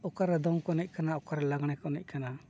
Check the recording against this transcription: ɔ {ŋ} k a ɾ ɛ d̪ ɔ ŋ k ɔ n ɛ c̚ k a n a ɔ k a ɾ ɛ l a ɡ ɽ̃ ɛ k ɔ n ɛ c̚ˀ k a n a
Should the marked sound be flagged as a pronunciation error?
yes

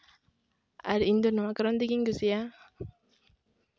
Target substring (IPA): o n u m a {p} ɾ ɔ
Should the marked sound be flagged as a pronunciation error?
yes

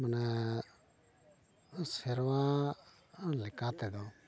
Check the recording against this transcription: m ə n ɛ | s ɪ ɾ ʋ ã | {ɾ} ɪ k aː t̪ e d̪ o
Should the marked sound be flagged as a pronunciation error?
yes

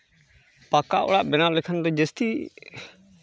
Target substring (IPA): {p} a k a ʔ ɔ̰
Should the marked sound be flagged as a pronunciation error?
no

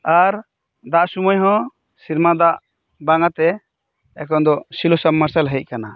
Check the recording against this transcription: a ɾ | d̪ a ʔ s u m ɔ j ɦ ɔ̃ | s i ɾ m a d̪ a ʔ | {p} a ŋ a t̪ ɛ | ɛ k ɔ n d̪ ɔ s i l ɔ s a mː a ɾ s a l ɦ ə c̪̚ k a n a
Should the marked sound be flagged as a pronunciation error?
yes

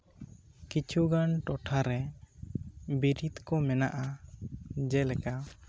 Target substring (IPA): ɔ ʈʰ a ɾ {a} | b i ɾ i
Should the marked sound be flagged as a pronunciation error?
yes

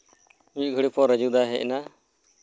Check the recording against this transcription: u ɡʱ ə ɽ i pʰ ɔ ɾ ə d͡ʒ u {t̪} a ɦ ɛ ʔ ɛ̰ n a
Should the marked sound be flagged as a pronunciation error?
yes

